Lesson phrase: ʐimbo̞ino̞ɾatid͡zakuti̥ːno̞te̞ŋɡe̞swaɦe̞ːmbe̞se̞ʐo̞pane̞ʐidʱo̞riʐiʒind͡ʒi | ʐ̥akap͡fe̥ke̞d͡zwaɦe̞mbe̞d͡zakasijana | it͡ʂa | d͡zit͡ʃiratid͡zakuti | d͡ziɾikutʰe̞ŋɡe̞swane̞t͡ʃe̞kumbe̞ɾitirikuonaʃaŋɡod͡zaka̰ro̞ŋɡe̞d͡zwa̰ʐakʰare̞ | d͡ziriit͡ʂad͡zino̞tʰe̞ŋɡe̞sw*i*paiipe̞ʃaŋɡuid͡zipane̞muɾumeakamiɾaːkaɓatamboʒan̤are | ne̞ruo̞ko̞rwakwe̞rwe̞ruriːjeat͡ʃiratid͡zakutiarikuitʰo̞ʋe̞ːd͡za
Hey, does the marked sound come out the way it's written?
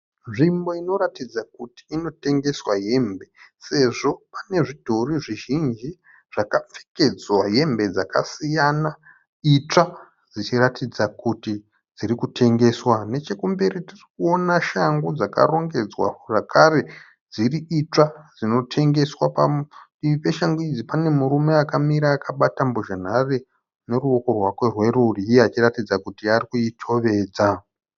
no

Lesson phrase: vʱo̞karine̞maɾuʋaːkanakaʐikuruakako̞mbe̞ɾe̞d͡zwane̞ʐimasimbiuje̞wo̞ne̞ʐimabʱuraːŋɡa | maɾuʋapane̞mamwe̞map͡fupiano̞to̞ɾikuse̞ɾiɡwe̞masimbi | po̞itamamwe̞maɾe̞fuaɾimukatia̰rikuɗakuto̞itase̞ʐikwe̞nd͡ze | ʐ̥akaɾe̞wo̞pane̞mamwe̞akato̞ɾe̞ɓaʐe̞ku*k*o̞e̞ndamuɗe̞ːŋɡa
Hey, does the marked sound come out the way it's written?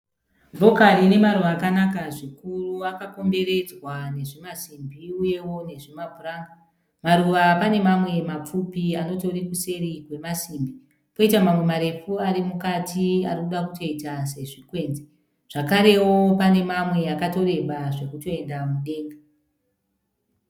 no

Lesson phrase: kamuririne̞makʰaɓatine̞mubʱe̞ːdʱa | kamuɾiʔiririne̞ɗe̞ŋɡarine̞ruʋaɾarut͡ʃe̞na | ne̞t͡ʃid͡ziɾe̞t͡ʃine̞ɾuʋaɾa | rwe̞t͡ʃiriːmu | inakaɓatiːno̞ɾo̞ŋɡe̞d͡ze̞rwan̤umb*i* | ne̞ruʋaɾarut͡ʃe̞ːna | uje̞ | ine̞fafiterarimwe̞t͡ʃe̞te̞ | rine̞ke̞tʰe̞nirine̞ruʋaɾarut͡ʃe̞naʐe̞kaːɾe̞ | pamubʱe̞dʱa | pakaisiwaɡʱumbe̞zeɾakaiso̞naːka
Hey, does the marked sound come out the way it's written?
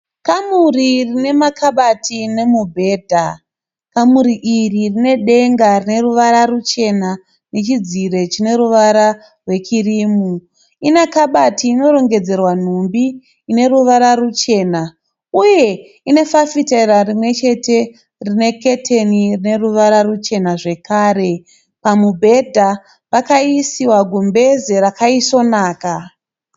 no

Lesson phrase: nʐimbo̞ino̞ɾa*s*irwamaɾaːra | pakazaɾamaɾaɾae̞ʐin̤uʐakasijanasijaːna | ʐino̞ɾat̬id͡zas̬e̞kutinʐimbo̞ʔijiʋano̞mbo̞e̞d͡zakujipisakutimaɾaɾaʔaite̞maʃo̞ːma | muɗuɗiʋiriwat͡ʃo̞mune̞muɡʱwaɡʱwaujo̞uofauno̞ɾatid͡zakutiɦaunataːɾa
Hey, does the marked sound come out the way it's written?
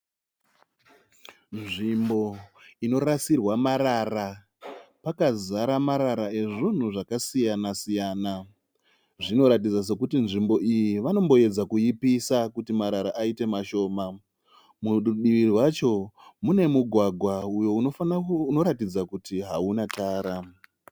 yes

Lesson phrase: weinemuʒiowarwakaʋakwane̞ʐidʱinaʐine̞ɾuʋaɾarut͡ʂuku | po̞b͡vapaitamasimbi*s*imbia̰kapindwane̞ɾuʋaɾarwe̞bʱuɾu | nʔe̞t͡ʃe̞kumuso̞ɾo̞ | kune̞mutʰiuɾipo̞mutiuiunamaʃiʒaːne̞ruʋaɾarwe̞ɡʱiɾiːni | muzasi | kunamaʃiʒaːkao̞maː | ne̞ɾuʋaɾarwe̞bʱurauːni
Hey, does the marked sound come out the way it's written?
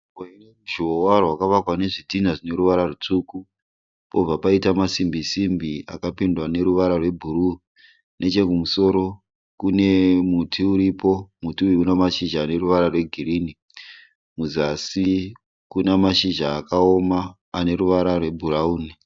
yes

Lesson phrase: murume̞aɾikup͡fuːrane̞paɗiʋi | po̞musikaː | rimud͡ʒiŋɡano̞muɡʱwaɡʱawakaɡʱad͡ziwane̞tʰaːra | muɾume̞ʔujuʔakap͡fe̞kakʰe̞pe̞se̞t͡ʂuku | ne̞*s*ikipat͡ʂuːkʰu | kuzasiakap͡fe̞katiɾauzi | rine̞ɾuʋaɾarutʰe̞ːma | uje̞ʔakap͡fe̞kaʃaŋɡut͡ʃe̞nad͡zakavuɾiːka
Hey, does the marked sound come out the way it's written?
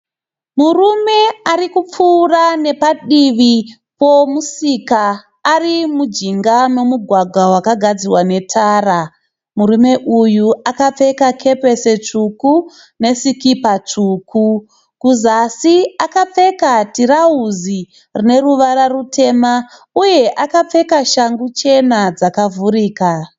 yes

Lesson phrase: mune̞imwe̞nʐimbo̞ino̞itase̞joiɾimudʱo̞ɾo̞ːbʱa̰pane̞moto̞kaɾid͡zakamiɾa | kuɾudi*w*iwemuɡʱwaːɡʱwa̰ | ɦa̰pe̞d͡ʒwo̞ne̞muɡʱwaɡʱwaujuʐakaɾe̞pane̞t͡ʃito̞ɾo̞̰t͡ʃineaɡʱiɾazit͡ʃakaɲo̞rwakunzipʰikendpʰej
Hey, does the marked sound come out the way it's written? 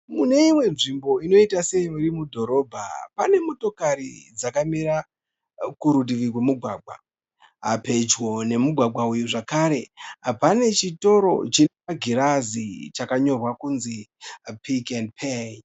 no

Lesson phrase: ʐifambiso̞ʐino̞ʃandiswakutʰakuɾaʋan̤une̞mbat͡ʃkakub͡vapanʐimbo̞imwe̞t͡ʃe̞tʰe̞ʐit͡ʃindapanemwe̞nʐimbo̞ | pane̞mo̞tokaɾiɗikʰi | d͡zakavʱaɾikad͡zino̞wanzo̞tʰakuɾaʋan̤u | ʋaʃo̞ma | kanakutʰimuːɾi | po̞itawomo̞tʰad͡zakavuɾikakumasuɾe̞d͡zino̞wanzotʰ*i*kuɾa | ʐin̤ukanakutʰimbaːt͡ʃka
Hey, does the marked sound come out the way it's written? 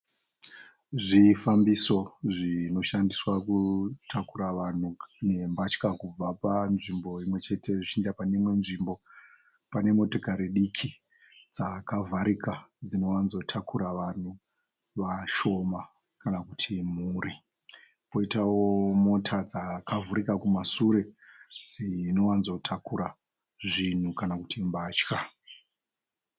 no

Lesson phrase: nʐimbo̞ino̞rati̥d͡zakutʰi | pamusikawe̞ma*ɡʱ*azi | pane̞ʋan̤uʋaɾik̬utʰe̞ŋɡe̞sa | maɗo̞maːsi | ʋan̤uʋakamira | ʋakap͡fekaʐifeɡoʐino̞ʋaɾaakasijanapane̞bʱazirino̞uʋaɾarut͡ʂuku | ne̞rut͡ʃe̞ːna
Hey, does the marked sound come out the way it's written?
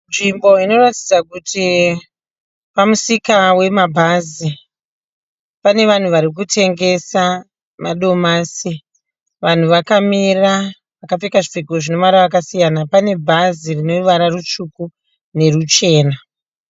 no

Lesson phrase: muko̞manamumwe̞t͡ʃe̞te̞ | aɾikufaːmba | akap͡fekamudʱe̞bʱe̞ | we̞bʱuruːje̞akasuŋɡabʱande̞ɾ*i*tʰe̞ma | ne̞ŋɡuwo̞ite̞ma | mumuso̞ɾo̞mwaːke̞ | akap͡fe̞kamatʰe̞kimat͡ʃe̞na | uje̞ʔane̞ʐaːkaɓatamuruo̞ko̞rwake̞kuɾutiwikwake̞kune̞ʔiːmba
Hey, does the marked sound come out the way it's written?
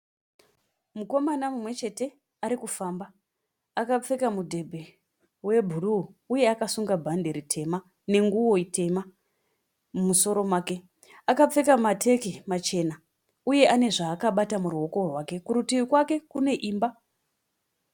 yes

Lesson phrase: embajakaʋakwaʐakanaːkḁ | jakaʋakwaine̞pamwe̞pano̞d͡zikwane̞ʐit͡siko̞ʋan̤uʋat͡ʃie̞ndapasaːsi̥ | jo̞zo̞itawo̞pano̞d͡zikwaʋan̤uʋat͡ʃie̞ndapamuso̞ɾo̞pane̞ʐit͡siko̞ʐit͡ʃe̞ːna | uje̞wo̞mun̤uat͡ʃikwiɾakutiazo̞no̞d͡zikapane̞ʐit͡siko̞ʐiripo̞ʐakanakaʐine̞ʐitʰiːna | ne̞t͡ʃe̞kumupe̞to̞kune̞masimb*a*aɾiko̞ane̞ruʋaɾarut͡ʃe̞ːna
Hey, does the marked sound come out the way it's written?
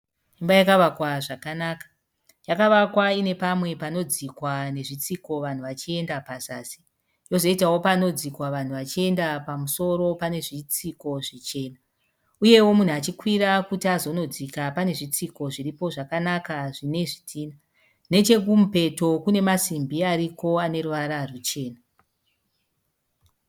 no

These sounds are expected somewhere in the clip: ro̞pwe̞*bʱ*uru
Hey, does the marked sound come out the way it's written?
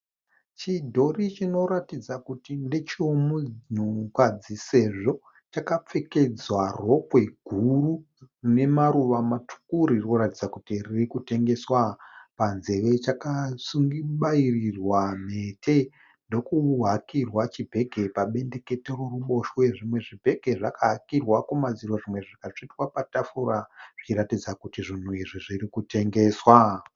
no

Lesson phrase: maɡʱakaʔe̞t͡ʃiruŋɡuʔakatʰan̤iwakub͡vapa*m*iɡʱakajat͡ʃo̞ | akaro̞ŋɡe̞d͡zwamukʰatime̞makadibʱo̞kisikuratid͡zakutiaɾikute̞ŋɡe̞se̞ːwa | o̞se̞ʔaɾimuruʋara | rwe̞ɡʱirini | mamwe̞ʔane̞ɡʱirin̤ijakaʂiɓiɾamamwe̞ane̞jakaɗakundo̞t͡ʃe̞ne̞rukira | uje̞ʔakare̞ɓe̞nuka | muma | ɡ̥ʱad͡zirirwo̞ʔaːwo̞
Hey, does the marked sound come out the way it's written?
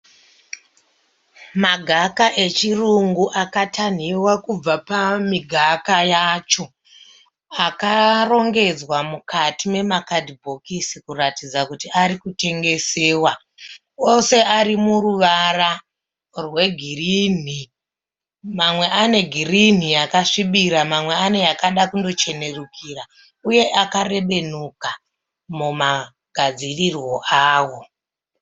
yes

